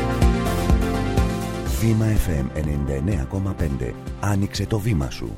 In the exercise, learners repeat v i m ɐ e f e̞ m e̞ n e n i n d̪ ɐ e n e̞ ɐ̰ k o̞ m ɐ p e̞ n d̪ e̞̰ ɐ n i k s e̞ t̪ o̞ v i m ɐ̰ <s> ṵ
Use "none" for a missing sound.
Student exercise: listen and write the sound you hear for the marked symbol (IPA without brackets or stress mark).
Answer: s